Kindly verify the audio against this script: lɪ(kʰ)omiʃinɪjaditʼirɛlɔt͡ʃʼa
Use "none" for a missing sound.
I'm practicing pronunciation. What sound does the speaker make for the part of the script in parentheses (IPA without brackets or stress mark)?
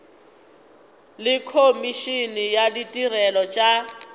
kʰ